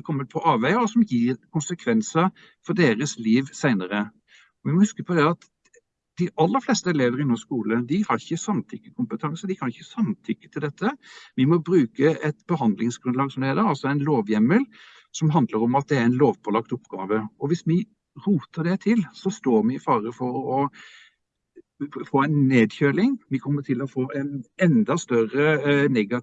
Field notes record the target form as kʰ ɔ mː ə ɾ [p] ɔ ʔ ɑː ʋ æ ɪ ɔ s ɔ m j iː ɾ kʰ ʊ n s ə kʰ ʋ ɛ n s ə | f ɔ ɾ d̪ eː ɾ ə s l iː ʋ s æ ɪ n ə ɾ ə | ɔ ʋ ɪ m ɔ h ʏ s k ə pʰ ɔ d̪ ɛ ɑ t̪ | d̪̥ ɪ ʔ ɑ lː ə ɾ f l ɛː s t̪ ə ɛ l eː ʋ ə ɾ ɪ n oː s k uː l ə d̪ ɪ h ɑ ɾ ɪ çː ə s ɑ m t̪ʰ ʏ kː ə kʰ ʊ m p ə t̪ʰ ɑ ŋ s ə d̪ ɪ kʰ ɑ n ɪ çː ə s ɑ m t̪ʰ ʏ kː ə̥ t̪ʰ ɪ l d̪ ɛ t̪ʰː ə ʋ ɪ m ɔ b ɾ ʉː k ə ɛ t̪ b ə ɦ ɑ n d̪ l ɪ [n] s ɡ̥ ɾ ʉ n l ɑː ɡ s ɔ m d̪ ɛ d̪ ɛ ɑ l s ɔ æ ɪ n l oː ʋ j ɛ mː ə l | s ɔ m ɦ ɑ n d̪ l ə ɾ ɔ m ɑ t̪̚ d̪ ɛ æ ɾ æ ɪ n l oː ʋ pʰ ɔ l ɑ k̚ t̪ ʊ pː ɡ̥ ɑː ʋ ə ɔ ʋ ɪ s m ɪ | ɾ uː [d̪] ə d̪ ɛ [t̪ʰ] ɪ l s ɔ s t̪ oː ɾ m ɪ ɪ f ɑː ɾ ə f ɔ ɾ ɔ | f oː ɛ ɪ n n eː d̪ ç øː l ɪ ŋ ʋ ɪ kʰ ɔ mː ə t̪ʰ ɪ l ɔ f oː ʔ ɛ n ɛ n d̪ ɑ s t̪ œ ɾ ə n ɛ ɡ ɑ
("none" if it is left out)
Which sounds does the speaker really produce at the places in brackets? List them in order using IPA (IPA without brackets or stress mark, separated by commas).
pʰ, ŋ, t̪, t̪ʰ